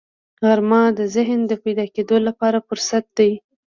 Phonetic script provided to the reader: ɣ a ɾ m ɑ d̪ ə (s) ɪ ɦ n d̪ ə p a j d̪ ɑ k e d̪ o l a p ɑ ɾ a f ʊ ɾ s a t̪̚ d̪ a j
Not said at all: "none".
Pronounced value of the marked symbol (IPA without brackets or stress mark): z